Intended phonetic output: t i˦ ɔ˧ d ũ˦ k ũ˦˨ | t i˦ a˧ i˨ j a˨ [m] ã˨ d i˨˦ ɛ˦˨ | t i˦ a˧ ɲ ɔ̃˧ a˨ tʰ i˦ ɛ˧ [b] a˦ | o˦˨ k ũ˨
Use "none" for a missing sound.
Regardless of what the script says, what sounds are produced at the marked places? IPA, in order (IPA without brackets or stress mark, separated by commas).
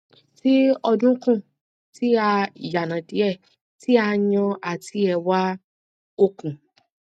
n, w